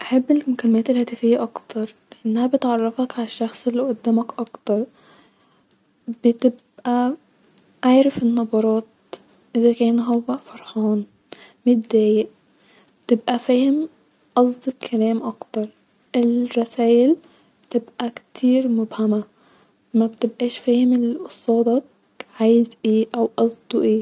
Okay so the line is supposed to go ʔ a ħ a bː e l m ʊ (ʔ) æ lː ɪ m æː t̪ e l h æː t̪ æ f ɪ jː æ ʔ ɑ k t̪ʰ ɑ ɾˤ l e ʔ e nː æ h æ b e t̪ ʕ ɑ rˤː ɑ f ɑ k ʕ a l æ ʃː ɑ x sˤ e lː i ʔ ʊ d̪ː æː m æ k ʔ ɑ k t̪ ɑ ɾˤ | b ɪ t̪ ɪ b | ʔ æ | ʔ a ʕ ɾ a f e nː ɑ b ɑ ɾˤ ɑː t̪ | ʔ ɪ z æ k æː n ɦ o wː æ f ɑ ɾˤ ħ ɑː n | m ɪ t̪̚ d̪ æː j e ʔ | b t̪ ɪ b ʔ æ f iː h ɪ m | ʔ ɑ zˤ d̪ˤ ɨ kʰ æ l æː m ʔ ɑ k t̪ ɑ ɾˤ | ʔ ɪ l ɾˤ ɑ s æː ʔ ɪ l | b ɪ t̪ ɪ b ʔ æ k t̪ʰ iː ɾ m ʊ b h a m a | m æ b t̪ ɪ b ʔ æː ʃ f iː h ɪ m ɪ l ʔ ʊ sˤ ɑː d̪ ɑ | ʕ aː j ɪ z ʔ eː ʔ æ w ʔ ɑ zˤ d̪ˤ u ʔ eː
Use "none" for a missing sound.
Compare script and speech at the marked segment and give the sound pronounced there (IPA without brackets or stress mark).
k